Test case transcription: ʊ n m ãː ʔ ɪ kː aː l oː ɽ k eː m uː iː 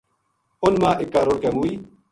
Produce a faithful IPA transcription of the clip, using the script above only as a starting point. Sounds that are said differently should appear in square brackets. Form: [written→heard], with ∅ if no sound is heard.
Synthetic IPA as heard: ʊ n m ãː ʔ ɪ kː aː [l→ɾ] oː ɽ k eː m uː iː